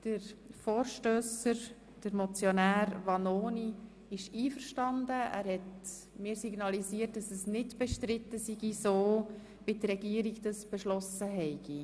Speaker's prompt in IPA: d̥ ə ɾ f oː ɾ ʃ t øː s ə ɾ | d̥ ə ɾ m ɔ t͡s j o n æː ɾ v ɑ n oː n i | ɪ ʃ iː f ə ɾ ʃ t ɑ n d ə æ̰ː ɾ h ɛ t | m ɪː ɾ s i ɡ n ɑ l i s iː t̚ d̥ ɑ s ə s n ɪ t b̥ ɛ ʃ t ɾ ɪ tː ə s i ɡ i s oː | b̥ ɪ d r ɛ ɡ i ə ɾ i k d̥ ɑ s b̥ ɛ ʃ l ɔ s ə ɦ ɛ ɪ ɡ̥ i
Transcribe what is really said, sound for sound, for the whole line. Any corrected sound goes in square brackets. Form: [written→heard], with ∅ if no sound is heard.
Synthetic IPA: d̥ ə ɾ f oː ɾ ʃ t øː s ə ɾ | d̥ ə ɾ m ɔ t͡s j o n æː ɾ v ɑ n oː n i | ɪ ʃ iː f ə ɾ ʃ t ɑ n d ə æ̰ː ɾ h ɛ t | m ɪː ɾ s i ɡ n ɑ l i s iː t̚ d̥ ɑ s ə s n ɪ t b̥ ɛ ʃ t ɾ ɪ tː ə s i ɡ i s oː | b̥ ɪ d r ɛ ɡ i ə ɾ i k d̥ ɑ s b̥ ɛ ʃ l ɔ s ə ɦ ɛ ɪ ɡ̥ i